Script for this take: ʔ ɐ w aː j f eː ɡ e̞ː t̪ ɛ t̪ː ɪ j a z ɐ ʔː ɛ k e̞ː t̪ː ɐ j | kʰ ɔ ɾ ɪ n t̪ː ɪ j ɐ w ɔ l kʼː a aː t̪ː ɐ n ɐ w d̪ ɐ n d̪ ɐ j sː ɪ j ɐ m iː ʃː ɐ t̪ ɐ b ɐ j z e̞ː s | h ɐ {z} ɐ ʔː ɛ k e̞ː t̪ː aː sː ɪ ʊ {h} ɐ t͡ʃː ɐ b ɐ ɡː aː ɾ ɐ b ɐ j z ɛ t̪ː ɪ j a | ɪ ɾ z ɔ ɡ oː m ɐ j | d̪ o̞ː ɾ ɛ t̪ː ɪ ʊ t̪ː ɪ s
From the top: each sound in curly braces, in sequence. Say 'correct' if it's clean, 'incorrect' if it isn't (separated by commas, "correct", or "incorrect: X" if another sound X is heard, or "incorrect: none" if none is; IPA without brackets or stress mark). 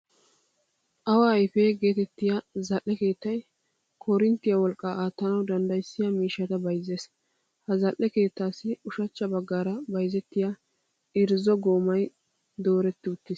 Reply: correct, incorrect: ʃ